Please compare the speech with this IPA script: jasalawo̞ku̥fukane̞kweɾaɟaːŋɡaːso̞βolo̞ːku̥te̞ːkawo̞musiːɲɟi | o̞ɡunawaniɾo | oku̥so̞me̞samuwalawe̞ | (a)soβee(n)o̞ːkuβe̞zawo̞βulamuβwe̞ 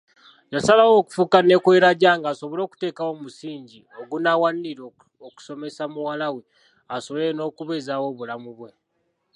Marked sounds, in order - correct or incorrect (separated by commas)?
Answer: correct, correct